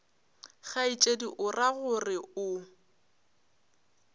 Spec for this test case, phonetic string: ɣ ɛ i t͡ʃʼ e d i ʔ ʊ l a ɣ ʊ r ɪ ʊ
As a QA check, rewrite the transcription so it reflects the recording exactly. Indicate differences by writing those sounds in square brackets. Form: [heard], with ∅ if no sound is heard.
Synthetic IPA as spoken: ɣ [a] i t͡ʃʼ e d i ʔ ʊ [r] a ɣ ʊ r ɪ ʊ